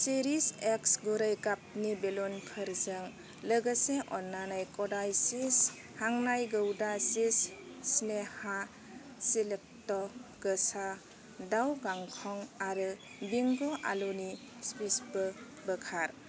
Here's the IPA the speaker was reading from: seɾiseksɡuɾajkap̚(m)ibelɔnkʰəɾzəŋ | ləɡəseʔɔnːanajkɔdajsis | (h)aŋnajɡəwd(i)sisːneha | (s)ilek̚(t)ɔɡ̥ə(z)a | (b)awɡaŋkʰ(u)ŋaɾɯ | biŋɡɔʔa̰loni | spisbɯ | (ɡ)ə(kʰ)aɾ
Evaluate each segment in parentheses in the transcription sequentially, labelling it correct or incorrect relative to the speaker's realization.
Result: incorrect, correct, incorrect, correct, correct, incorrect, incorrect, incorrect, incorrect, correct

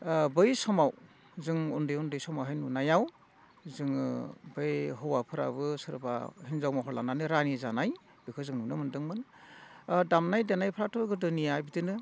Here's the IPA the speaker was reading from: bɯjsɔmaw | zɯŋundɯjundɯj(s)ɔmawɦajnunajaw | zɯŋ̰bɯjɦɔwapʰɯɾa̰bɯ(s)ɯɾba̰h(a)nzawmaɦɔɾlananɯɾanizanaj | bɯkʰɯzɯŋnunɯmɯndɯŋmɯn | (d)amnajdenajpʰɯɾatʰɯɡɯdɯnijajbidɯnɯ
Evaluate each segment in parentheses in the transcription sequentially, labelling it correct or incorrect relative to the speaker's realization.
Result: correct, correct, incorrect, correct

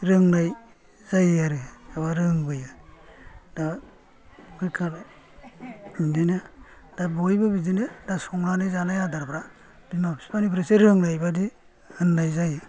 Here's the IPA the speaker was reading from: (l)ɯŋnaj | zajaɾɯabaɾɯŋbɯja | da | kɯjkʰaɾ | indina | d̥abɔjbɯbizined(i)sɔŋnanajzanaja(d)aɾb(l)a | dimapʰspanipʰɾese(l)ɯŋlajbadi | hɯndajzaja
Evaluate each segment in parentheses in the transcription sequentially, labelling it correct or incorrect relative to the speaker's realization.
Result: incorrect, incorrect, correct, incorrect, incorrect

